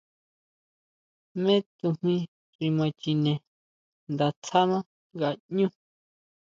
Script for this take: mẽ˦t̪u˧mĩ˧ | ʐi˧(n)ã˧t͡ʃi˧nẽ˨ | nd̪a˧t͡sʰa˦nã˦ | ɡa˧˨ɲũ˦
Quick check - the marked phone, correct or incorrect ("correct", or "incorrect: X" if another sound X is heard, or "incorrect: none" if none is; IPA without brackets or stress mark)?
incorrect: m